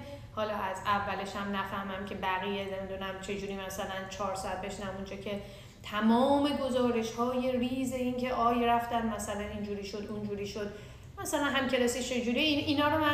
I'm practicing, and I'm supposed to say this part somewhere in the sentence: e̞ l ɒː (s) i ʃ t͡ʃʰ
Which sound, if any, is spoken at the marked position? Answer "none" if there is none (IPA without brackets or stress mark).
s